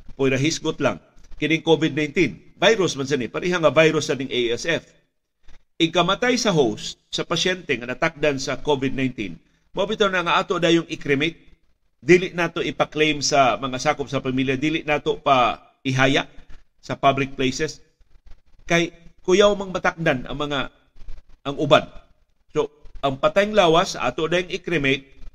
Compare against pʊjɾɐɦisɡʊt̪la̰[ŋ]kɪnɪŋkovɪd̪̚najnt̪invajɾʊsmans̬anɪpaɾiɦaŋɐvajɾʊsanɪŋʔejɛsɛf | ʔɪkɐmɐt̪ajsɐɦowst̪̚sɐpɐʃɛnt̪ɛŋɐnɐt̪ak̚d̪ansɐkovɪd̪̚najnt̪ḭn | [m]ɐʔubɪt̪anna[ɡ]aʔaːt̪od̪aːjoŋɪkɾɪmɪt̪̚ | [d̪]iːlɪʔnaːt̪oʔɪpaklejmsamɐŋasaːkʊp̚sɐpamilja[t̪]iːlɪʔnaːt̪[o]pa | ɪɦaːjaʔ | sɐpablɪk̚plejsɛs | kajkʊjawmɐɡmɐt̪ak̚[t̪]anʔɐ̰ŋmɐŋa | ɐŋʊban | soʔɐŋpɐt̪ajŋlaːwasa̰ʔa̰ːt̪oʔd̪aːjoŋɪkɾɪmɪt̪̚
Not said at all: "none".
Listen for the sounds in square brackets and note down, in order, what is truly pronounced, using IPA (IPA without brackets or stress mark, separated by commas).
ŋ, m, ŋ, d̪, d̪, o, d̪